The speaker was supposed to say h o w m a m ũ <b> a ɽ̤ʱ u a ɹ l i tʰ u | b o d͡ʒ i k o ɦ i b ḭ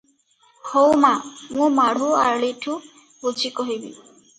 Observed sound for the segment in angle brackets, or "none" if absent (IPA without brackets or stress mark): m